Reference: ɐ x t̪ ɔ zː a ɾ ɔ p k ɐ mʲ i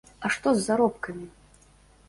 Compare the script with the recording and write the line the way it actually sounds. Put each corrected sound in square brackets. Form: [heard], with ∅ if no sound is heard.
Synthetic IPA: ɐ [ʂ] t̪ ɔ zː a ɾ ɔ p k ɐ mʲ i